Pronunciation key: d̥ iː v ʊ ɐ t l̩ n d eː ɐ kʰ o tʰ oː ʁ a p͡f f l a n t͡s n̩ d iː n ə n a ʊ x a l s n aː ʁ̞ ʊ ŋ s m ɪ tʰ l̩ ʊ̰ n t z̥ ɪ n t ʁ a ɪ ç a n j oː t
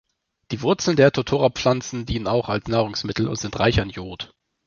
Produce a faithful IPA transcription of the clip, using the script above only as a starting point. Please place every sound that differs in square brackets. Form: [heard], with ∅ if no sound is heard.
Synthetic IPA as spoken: d̥ iː v ʊ ɐ [t͡s] l̩ n d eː ɐ [tʰ] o tʰ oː ʁ a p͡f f l a n t͡s n̩ d iː n ə n a ʊ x a l s n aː ʁ̞ ʊ ŋ s m ɪ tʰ l̩ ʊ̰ n t z̥ ɪ n t ʁ a ɪ ç a n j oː t

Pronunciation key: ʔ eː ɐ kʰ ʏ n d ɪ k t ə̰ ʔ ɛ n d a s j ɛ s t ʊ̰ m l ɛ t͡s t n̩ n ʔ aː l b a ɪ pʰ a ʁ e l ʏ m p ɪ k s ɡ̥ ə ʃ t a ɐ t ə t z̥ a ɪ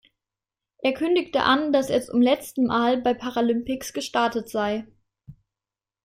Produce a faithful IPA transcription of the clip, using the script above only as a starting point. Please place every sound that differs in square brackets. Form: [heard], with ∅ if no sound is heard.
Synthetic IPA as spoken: ʔ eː ɐ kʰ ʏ n d ɪ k t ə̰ ʔ [a] n d a s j ɛ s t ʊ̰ m l ɛ t͡s t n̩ [m] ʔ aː l b a ɪ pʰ a ʁ [a] l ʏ m p ɪ k s ɡ̥ ə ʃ t a ɐ t ə t z̥ a ɪ

